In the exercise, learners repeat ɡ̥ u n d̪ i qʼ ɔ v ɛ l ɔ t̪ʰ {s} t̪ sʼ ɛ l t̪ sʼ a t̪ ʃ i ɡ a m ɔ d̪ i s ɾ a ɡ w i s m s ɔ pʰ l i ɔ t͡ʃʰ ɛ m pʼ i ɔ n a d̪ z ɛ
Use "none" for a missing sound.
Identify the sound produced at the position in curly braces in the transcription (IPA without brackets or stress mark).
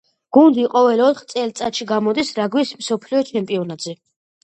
χ